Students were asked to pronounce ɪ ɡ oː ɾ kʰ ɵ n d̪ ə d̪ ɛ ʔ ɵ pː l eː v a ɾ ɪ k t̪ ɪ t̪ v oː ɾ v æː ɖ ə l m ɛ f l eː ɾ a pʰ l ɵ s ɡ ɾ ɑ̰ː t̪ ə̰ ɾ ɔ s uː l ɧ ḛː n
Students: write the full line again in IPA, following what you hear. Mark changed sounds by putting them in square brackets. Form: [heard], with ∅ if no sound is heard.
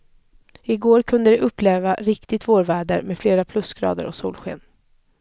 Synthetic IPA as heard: ɪ ɡ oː ɾ kʰ ɵ n d̪ ə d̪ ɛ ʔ ɵ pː l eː v a ɾ ɪ k t̪ ɪ t̪ v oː ɾ v æː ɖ ə [ɾ] m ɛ f l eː ɾ a pʰ l ɵ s ɡ ɾ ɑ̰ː [d̪] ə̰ ɾ ɔ s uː l ɧ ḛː n